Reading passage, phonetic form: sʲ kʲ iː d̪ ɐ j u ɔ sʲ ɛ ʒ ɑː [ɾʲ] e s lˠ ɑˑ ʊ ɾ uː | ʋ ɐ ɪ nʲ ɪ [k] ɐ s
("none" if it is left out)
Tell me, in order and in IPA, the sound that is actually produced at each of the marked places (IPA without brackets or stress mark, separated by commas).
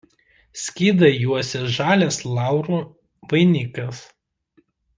lʲ, k